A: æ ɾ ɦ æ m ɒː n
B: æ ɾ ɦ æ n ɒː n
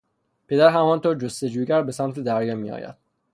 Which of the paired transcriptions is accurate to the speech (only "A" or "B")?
A